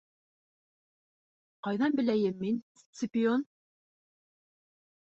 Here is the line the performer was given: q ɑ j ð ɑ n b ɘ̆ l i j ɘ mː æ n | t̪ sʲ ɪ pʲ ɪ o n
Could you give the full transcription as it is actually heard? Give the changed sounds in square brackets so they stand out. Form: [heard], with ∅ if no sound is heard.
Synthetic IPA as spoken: q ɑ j ð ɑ n b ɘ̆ l [æ] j ɘ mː [i] n | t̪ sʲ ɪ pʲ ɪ o n